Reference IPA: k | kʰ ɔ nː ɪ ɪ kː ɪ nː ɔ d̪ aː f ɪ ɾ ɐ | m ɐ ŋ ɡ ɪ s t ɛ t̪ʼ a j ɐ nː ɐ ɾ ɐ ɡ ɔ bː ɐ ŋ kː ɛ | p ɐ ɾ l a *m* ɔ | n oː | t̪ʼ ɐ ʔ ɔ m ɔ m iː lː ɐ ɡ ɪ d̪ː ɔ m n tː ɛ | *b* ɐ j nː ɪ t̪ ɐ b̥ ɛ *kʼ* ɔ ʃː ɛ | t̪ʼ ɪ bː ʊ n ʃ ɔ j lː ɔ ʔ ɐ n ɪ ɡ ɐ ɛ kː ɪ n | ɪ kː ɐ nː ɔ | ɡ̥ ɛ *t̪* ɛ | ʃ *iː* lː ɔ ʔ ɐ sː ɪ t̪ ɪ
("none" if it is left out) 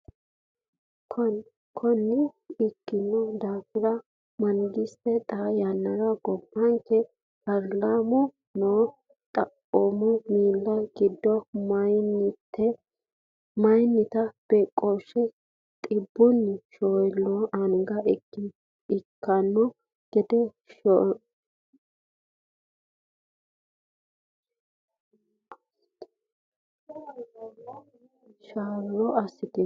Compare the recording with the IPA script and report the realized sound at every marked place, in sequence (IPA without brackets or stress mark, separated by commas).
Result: m, m, kʼ, d̪, aː